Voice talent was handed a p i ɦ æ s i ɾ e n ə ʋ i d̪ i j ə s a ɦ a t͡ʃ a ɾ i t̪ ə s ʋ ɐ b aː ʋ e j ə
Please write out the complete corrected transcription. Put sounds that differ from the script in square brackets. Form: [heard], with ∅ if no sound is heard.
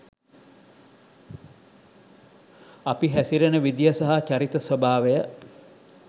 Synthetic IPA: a p i ɦ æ s i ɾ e n ə ʋ i d̪ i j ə s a ɦ a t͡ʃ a ɾ i t̪ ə s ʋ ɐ b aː ʋ e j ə

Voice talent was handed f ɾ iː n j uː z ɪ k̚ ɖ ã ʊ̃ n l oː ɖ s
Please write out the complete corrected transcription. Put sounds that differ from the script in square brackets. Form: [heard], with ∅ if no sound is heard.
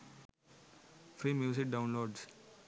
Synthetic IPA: f ɾ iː [m] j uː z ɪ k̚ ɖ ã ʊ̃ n l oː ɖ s

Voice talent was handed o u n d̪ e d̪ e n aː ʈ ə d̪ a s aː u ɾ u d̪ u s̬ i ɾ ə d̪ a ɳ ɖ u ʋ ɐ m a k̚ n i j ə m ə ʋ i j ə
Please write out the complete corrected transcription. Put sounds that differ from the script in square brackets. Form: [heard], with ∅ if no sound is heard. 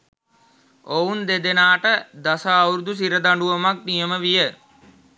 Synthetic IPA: o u n d̪ e d̪ e n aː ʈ ə d̪ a s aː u ɾ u d̪ u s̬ i ɾ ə d̪ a ɳ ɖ u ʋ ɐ m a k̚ n i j ə m ə ʋ i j ə

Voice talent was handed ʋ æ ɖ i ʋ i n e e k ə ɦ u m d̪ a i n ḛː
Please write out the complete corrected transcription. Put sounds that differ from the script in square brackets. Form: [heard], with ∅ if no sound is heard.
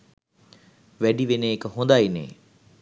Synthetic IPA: ʋ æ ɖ i ʋ [e] n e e k ə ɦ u [n] d̪ a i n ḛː

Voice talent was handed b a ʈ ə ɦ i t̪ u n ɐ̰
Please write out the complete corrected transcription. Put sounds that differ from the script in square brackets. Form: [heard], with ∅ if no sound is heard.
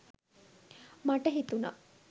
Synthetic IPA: [m] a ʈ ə ɦ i t̪ u n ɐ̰

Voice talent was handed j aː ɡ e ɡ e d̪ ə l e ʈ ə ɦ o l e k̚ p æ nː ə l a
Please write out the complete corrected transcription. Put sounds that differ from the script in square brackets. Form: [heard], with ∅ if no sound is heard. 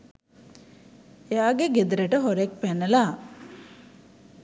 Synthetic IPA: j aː ɡ e ɡ e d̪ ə [ɾ] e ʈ ə ɦ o [ɾ] e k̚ p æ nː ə l a

